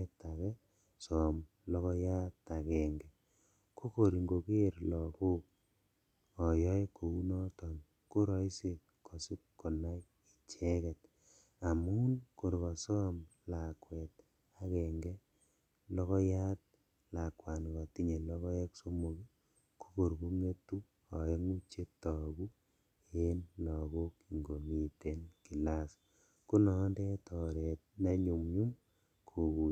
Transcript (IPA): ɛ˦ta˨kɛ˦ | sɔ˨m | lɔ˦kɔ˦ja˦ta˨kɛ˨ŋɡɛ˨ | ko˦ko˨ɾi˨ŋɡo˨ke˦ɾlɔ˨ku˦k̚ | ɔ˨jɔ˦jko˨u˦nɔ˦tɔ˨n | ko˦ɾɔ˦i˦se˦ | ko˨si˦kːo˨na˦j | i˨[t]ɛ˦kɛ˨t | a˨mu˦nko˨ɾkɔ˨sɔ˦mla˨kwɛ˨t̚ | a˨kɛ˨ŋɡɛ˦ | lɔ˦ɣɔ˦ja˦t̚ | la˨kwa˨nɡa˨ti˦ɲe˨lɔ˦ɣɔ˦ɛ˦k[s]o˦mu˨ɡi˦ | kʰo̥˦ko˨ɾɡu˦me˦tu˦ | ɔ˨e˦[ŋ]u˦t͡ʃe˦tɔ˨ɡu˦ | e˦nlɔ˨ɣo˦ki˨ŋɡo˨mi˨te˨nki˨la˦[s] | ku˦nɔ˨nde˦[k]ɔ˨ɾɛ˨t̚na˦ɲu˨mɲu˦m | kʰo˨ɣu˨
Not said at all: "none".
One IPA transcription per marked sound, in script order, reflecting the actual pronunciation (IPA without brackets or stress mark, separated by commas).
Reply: t͡ʃ, s, ŋ, s, t